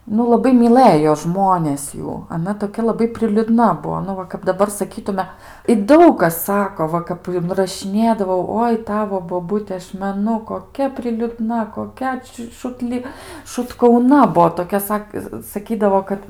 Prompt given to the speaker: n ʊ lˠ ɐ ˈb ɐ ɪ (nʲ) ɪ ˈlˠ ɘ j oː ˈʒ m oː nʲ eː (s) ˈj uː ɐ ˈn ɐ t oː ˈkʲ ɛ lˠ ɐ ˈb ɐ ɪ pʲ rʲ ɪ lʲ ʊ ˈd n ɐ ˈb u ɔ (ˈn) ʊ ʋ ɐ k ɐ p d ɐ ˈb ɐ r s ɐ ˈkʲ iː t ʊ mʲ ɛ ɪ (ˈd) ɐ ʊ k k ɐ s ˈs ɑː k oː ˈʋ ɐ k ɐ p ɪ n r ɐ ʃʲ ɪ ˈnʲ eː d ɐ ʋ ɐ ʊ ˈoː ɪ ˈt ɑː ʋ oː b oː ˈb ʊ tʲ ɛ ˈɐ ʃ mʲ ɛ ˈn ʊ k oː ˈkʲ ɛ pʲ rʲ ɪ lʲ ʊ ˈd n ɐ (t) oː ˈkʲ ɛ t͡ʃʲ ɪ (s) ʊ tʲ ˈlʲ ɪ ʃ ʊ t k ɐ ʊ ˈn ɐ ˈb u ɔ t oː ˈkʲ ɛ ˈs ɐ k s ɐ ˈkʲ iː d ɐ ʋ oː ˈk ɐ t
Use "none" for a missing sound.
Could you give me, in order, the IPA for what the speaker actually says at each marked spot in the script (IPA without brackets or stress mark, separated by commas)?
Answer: mʲ, s, n, d, k, ʃ